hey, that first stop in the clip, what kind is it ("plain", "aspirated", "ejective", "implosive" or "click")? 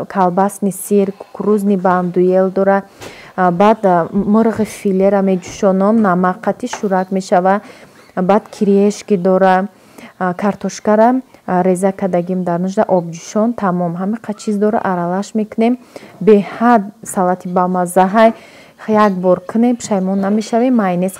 aspirated